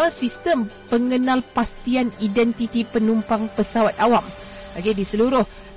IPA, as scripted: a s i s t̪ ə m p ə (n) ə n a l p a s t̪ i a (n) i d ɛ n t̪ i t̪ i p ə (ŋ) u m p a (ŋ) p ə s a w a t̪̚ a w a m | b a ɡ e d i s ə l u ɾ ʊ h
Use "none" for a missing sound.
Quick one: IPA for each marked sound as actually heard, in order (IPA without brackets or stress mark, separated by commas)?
ŋ, n, n, ŋ